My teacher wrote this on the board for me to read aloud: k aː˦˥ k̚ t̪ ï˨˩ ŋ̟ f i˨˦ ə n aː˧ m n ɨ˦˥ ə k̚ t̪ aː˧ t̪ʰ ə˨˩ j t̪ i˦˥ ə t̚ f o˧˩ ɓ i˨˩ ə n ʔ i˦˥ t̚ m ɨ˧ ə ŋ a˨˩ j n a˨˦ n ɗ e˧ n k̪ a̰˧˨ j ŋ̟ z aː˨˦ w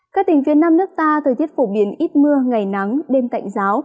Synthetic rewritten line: k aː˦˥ k̚ t̪ ï˨˩ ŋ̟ f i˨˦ ə n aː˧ m n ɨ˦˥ ə k̚ t̪ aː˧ t̪ʰ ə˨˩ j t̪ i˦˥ ə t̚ f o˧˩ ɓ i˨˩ ə n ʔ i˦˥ t̚ m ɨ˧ ə ŋ a˨˩ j n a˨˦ ŋ ɗ e˧ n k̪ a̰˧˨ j ŋ̟ z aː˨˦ w